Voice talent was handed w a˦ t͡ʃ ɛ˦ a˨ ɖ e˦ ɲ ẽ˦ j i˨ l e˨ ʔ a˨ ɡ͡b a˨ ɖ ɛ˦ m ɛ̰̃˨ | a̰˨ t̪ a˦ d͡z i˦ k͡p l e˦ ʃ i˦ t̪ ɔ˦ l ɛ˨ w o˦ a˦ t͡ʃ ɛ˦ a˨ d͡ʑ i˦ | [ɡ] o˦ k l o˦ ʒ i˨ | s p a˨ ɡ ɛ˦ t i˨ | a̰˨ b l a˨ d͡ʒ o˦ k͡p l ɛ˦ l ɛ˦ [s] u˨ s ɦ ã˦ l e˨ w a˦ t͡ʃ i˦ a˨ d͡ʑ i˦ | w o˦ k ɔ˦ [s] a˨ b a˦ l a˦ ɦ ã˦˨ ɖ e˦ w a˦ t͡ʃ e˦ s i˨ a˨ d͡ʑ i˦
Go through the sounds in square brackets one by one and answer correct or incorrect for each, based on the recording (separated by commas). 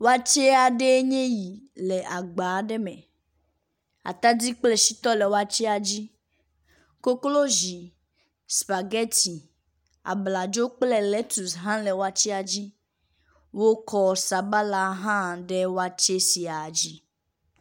incorrect, incorrect, correct